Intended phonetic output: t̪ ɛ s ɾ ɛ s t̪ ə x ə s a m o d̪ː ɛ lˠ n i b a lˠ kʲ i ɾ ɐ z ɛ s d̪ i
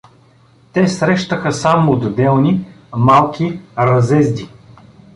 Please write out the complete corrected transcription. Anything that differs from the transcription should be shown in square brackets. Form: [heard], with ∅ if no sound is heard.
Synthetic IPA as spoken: t̪ ɛ s ɾ ɛ [ʃ] t̪ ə x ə s a m o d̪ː ɛ lˠ n i [m] a lˠ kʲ i ɾ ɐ z ɛ [z] d̪ i

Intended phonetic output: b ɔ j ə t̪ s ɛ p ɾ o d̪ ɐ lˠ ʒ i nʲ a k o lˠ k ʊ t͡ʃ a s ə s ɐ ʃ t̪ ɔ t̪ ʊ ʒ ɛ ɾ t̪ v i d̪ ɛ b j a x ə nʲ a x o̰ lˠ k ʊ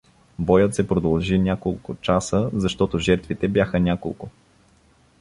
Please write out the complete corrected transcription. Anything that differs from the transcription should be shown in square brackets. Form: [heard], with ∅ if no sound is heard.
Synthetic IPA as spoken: b ɔ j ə t̪ s ɛ p ɾ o d̪ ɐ lˠ ʒ i nʲ a k o lˠ k ʊ t͡ʃ a s ə [z] ɐ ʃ t̪ ɔ t̪ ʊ ʒ ɛ ɾ t̪ v i [t̪] ɛ b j a x ə nʲ a [k] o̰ lˠ k ʊ

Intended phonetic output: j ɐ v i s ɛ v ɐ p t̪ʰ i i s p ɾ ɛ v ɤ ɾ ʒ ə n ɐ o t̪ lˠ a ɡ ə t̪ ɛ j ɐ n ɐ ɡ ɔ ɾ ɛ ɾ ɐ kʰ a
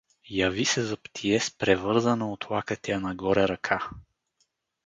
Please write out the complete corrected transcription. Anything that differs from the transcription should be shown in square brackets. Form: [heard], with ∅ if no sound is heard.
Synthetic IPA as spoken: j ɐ v i s ɛ [z] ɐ p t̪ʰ i [ɛ] s p ɾ ɛ v ɤ ɾ [z] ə n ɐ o t̪ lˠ a [k] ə t̪ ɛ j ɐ n ɐ ɡ ɔ ɾ ɛ ɾ ɐ kʰ a

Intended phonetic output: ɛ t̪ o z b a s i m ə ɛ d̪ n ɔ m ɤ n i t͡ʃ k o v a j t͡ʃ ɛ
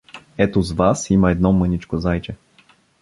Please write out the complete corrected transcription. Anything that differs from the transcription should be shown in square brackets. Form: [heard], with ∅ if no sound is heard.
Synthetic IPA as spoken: ɛ t̪ o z [v] a s i m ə ɛ d̪ n ɔ m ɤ n i t͡ʃ k o [z] a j t͡ʃ ɛ

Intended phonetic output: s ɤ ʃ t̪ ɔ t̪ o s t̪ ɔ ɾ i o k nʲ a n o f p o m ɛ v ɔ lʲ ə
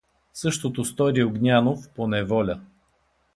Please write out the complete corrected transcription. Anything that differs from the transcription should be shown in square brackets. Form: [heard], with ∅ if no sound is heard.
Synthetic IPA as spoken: s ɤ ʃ t̪ [o] t̪ o s t̪ ɔ ɾ i o [ɡ] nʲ a n o f p o [n] ɛ v ɔ lʲ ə

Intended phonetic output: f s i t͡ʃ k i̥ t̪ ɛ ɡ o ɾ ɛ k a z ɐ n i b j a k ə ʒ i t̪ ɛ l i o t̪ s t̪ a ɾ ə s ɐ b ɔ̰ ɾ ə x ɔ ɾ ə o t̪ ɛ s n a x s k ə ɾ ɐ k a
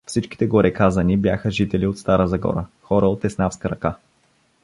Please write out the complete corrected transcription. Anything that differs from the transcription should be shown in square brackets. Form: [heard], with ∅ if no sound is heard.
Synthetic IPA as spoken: f s i t͡ʃ k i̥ t̪ ɛ ɡ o ɾ ɛ k a z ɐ n i b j a [x] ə ʒ i t̪ ɛ l i o t̪ s t̪ a ɾ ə [z] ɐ [ɡ] ɔ̰ ɾ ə x ɔ ɾ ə o t̪ ɛ s n a [f] s k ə ɾ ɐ k a

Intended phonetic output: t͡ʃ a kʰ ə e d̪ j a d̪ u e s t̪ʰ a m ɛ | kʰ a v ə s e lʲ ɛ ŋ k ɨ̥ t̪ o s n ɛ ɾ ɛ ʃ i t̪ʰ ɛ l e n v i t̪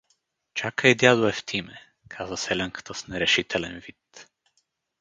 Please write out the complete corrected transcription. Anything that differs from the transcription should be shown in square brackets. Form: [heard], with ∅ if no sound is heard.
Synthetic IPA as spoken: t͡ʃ a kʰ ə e d̪ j a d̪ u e [f] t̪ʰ [i] m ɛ | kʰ a [z] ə s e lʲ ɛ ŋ k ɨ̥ t̪ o s n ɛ ɾ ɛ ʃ i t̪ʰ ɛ l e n v i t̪

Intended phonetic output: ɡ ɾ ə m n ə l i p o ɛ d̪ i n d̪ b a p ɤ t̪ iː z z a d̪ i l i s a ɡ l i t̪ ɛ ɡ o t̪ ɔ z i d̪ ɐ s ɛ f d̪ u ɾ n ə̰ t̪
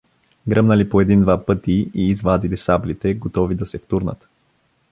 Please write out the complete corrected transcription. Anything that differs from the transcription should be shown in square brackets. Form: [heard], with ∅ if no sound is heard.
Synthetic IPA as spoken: ɡ ɾ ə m n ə l i p o ɛ d̪ i n d̪ [v] a p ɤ t̪ iː z [v] a d̪ i l i s a [b] l i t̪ ɛ ɡ o t̪ ɔ [v] i d̪ ɐ s ɛ f [t̪] u ɾ n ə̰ t̪

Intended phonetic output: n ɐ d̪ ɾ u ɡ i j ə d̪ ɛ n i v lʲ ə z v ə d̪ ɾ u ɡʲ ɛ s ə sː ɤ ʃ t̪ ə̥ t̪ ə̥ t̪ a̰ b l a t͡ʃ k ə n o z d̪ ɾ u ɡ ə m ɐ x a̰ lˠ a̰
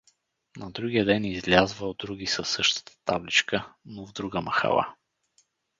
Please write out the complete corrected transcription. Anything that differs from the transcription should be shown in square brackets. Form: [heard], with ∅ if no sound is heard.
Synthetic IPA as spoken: n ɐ d̪ ɾ u ɡ i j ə d̪ ɛ n i [z] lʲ [a] z v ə d̪ ɾ u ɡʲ [i] s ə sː ɤ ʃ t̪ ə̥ t̪ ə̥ t̪ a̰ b l [i] t͡ʃ k ə n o [v] d̪ ɾ u ɡ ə m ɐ x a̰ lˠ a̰

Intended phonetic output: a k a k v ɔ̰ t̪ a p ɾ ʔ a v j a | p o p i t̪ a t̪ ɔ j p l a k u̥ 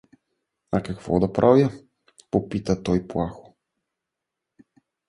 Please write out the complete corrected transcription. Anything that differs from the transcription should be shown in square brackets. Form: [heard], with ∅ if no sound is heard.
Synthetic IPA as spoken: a k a k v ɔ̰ [d̪] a p ɾ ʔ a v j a | p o p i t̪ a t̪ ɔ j p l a [x] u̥

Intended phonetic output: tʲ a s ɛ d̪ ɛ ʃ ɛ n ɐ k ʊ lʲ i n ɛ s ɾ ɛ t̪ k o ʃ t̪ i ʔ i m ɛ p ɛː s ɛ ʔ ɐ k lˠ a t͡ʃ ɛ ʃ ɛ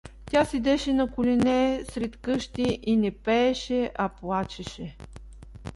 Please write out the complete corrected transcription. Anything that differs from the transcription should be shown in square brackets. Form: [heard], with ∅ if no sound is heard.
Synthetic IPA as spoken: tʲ a s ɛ d̪ ɛ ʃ ɛ n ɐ k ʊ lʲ i n ɛ s ɾ ɛ t̪ k [ɤ] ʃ t̪ i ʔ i [n] ɛ p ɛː [ʃ] ɛ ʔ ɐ [p] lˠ a t͡ʃ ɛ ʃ ɛ

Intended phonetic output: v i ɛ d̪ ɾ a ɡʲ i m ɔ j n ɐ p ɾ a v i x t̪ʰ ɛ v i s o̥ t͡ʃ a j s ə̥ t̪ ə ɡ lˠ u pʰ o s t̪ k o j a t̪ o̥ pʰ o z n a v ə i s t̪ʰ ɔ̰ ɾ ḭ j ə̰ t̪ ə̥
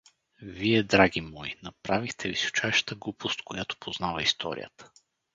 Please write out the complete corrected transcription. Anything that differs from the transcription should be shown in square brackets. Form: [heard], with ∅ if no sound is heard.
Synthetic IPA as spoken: v i ɛ d̪ ɾ a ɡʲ i m ɔ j n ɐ p ɾ a v i x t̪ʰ ɛ v i s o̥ t͡ʃ a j [ʃ] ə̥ t̪ ə ɡ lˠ u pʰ o s t̪ k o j a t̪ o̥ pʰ o z n a v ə i s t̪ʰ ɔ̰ ɾ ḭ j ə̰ t̪ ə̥

